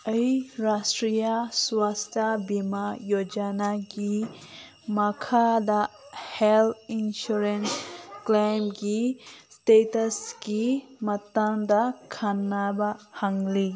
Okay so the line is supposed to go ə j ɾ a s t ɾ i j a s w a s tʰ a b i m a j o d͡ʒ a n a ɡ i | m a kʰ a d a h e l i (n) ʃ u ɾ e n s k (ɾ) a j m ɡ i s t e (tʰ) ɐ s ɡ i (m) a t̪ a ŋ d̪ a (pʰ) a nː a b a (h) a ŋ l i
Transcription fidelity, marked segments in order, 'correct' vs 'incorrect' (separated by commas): correct, incorrect, incorrect, correct, incorrect, correct